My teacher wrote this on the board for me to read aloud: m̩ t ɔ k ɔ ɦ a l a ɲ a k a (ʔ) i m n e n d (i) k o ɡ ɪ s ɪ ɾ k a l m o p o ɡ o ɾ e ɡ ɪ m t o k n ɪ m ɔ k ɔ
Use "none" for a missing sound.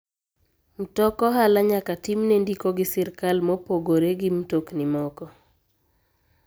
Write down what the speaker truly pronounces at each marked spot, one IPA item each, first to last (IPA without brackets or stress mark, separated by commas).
t, i